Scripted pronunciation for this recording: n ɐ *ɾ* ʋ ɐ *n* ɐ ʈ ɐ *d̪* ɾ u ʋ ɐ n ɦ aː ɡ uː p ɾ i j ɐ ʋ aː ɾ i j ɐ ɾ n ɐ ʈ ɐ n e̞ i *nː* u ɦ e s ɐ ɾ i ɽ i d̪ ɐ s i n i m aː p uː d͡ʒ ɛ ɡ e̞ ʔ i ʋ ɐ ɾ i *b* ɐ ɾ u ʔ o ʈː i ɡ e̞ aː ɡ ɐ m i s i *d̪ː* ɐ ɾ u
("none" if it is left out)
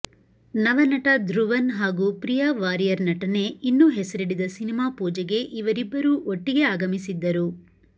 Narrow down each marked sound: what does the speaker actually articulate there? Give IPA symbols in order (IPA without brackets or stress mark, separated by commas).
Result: none, n, d̪, nː, bː, d̪ː